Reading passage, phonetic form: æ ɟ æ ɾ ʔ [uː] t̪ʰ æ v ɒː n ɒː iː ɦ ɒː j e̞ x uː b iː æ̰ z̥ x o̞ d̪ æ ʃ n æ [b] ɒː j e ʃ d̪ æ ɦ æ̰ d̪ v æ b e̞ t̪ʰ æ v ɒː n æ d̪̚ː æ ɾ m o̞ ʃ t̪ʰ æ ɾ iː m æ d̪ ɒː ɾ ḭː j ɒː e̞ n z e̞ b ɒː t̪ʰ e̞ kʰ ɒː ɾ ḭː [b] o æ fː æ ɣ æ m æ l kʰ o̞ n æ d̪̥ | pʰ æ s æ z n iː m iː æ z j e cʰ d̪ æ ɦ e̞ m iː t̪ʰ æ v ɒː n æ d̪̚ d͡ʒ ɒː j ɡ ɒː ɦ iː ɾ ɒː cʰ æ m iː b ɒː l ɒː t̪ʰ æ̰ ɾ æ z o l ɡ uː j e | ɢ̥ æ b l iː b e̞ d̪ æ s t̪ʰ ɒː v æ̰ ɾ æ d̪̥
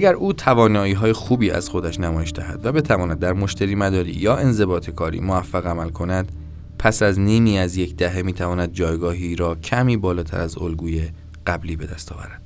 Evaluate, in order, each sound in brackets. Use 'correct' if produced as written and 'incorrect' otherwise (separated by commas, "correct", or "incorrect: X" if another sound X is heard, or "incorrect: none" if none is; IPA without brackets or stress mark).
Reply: correct, incorrect: m, incorrect: m